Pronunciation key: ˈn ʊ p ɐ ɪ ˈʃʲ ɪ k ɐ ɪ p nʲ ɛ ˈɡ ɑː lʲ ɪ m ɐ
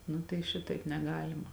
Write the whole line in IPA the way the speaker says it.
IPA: ˈn ʊ t ɐ ɪ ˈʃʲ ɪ t ɐ ɪ p nʲ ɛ ˈɡ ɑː lʲ ɪ m ɐ